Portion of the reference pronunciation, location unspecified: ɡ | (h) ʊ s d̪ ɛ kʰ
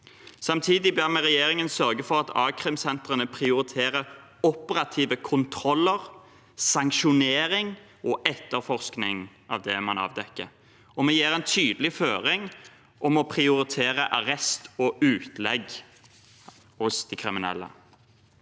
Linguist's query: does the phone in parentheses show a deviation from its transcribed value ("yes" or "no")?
no